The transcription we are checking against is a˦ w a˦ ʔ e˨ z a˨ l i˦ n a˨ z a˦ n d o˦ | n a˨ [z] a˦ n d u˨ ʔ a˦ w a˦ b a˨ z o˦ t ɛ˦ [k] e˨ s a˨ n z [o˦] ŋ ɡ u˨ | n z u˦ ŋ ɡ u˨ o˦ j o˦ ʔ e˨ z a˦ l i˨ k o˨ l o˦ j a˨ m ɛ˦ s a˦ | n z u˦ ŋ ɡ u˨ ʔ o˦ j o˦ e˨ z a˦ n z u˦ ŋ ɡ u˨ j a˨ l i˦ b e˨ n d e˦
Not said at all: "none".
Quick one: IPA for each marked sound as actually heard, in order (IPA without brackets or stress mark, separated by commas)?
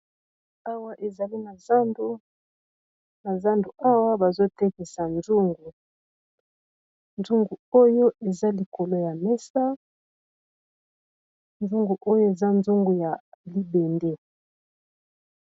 z, k, u˦